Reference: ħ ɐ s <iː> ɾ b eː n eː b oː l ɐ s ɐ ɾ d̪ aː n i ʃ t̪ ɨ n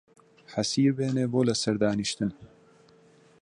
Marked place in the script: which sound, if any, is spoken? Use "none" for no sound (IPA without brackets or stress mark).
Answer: iː